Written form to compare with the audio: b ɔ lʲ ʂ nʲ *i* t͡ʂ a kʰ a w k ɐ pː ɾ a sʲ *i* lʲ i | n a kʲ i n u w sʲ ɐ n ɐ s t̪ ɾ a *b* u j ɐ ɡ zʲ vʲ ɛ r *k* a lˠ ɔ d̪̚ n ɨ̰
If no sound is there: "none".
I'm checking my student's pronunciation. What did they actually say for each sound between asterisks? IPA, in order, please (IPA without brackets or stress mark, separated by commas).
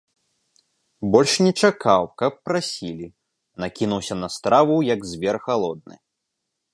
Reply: ɛ, i, v, x